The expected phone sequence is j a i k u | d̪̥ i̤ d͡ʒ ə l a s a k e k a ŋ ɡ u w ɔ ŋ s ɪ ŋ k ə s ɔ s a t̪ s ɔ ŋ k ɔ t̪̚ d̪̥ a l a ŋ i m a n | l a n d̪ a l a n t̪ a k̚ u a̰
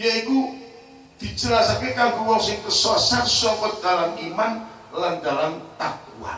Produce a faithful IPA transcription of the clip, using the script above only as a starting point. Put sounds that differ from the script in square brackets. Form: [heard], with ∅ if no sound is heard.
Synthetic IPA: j a i k u | d̪̥ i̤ d͡ʒ ə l a s a k e k a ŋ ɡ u w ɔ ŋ s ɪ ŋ k ə s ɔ s a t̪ s ɔ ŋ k ɔ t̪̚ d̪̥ a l a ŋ i m a n | l a n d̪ a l a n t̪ a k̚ u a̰